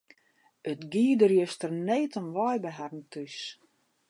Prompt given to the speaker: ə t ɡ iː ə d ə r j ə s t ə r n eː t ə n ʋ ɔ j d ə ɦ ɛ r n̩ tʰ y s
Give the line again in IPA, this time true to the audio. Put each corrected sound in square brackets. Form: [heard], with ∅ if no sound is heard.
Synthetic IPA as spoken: ə t ɡ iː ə d ə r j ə s t ə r n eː t ə n ʋ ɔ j [b] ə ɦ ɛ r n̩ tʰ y s